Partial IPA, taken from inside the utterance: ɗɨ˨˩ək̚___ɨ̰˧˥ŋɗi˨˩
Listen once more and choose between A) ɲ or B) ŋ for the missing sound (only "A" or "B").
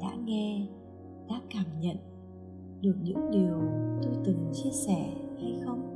A